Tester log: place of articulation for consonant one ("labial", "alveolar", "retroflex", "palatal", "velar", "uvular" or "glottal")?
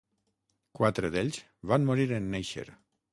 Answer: velar